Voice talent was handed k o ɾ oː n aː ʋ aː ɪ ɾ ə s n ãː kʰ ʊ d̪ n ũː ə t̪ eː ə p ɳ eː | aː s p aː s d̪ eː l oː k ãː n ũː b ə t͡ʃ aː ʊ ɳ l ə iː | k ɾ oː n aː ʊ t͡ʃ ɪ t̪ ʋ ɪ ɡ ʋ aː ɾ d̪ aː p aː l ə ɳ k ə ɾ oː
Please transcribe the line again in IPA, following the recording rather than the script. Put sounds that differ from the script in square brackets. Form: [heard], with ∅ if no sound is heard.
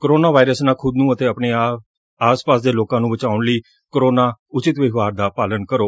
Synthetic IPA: k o ɾ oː n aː ʋ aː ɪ ɾ ə s n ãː kʰ ʊ d̪ n ũː ə t̪ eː ə p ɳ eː | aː s p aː s d̪ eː l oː k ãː n ũː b ə t͡ʃ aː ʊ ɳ l ə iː | k ɾ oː n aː ʊ t͡ʃ ɪ t̪ ʋ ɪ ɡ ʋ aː ɾ d̪ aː p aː l ə [n] k ə ɾ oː